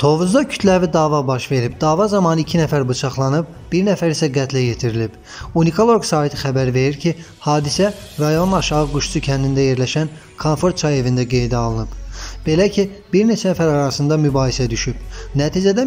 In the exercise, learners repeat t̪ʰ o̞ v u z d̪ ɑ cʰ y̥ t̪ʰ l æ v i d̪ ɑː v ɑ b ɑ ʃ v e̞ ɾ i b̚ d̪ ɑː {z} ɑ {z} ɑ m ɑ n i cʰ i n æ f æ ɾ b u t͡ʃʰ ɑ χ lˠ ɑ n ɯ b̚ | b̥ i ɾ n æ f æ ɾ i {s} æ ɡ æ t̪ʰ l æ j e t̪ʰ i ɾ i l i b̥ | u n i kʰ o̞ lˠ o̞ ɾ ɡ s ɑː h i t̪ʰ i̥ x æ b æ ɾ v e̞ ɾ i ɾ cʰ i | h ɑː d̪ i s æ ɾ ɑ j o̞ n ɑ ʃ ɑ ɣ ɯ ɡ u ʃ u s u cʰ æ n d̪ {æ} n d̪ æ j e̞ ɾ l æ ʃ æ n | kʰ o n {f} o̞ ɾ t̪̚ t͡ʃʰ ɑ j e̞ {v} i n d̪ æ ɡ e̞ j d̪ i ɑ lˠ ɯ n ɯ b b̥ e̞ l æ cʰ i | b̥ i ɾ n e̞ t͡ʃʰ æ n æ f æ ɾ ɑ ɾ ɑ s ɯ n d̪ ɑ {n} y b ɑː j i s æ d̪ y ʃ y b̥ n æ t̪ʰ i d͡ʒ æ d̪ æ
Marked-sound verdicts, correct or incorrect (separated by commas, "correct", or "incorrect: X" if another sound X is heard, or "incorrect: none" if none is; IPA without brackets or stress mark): incorrect: v, correct, correct, incorrect: i, correct, correct, incorrect: m